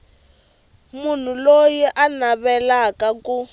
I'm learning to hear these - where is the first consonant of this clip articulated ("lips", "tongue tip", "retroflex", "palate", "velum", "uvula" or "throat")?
lips